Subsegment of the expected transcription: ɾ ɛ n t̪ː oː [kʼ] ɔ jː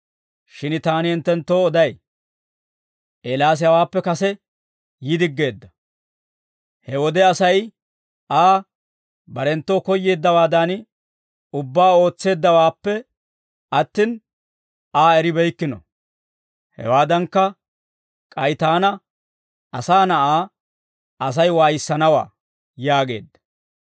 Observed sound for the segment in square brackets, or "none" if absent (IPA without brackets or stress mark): k